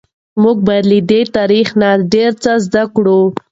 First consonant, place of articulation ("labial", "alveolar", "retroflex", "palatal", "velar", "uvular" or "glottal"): labial